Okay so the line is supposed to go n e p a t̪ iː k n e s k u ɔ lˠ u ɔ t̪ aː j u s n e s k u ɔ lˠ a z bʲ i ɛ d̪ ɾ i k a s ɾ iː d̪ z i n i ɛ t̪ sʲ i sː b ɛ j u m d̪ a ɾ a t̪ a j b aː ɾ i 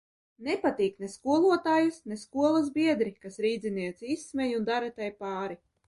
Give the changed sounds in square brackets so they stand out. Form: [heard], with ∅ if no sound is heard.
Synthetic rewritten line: n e p a t̪ iː k n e s k u ɔ lˠ u ɔ t̪ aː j u s n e s k u ɔ lˠ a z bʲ i ɛ d̪ ɾ i k a s ɾ iː d̪ z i n i ɛ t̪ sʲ i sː [m] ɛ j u [n] d̪ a ɾ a t̪ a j [p] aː ɾ i